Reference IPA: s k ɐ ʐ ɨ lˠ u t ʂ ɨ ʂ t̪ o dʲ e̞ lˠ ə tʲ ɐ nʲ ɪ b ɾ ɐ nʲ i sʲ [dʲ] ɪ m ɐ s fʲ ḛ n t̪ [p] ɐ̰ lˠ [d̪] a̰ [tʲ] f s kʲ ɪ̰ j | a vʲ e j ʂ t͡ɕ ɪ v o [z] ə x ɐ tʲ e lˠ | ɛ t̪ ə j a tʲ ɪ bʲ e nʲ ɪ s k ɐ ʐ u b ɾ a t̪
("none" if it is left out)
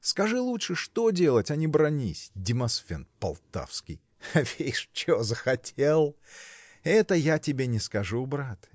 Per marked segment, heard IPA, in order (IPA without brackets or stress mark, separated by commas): dʲ, p, t̪, none, z